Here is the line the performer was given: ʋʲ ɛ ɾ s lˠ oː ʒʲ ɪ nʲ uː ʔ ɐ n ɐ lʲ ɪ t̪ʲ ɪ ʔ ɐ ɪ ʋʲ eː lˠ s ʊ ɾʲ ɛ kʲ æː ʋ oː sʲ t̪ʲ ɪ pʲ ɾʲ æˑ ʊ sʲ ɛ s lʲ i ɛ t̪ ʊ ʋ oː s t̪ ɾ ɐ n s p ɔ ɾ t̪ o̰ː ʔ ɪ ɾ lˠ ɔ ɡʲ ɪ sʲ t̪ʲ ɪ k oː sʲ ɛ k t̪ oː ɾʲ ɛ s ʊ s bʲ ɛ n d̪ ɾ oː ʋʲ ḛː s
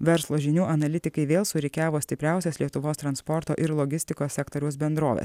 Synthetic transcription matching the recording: ʋʲ ɛ ɾ s lˠ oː ʒʲ ɪ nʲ uː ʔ ɐ n ɐ lʲ ɪ t̪ʲ ɪ k ɐ ɪ ʋʲ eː lˠ s ʊ ɾʲ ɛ kʲ æː ʋ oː sʲ t̪ʲ ɪ pʲ ɾʲ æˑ ʊ sʲ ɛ s lʲ i ɛ t̪ ʊ ʋ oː s t̪ ɾ ɐ n s p ɔ ɾ t̪ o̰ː ʔ ɪ ɾ lˠ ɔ ɡʲ ɪ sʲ t̪ʲ ɪ k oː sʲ ɛ k t̪ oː ɾʲ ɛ ʊ s bʲ ɛ n d̪ ɾ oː ʋʲ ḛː s